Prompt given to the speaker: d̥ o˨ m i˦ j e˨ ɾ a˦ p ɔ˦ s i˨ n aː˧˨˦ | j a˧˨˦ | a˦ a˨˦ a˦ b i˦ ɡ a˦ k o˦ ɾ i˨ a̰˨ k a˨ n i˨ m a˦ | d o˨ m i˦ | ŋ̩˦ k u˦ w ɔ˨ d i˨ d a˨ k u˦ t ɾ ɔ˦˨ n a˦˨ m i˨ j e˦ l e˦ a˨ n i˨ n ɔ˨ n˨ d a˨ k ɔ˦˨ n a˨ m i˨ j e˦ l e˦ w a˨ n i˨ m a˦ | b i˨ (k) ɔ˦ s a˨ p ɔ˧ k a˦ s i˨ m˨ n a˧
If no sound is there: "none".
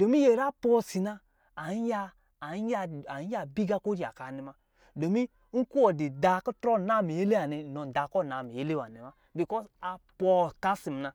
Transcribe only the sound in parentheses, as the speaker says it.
k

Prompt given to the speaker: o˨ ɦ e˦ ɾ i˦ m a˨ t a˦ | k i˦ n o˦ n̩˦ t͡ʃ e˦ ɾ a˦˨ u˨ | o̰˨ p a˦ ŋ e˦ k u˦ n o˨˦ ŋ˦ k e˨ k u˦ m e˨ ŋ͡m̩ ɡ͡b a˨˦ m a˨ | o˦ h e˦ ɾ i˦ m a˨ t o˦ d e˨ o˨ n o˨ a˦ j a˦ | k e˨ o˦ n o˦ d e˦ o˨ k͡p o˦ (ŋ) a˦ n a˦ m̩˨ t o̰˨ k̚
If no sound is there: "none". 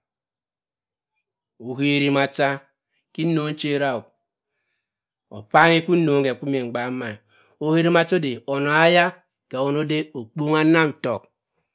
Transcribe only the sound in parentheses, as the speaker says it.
ŋ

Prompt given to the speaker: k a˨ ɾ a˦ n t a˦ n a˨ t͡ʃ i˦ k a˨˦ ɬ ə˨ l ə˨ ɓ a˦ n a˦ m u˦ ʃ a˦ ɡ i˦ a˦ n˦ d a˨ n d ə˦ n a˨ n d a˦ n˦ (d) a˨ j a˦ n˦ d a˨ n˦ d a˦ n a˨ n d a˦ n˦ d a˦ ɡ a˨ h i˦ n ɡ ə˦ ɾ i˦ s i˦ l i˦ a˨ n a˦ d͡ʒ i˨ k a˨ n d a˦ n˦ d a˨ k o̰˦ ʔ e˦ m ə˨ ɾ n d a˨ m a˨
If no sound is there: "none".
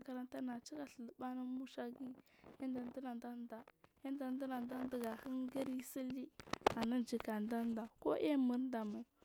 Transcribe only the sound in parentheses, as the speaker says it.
d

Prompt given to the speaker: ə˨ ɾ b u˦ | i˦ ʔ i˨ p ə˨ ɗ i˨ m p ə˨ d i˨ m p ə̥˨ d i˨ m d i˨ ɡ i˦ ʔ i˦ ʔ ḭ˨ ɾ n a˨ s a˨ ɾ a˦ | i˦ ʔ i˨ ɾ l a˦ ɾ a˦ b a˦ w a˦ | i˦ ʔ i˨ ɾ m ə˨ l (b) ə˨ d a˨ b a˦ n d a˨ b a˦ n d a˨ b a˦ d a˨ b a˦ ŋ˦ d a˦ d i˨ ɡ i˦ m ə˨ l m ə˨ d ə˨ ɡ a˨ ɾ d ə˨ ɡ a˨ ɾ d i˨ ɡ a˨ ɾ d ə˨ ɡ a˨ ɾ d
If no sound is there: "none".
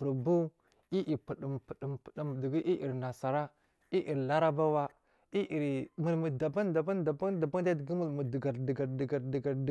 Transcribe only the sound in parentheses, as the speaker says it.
m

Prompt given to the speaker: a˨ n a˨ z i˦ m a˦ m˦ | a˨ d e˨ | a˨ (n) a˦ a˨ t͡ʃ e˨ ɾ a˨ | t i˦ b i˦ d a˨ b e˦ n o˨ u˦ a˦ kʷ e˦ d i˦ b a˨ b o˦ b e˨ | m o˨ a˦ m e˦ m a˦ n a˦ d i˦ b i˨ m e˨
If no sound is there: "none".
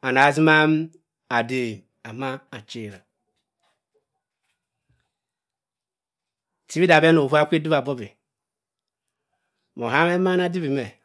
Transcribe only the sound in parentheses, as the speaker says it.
m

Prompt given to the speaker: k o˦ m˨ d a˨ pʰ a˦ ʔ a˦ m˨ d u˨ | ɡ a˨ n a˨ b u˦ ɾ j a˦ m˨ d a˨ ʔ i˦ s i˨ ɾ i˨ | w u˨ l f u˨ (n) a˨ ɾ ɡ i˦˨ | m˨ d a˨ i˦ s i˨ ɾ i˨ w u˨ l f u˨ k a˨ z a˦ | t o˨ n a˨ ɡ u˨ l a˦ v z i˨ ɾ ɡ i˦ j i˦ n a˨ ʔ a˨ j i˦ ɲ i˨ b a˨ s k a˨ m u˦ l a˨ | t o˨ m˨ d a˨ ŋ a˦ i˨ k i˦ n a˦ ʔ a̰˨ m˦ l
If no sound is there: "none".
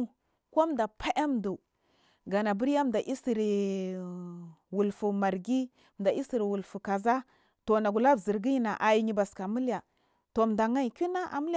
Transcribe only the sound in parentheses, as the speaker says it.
m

